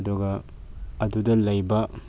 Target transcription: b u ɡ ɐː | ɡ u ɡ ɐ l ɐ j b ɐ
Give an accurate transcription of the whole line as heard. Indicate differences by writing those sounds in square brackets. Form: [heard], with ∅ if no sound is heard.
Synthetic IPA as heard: [d] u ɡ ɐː | [d] u [d] ɐ l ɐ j b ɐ